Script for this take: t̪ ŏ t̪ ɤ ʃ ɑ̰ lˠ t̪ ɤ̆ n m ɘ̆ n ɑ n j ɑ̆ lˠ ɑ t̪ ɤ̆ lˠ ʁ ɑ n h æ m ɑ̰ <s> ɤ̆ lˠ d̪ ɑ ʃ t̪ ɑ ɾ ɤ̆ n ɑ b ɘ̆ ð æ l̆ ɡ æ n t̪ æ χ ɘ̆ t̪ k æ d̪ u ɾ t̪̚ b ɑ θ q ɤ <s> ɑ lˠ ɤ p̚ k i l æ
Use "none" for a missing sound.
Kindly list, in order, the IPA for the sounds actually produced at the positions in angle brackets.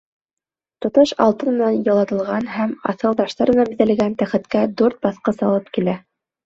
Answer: θ, s

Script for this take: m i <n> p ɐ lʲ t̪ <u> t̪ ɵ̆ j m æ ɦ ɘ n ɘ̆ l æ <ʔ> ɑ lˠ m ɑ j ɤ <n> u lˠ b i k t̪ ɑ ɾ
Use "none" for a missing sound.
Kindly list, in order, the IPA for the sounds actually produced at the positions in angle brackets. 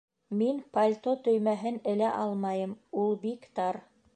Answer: n, o, ʔ, m

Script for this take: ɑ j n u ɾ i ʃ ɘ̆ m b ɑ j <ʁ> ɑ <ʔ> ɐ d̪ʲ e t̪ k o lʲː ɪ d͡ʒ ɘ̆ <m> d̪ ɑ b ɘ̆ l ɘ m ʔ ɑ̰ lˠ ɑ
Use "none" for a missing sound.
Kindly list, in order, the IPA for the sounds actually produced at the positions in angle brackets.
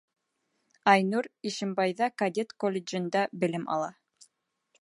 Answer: ð, k, n

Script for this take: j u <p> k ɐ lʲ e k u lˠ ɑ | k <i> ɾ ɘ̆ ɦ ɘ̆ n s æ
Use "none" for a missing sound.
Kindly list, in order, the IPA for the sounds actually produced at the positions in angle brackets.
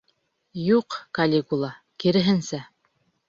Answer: q, i

